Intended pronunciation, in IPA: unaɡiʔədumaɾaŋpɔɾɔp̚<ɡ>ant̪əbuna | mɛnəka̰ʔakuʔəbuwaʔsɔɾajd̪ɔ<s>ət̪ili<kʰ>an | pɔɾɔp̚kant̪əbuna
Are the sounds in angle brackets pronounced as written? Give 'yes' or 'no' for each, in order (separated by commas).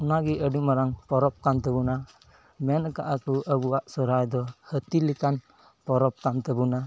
no, no, no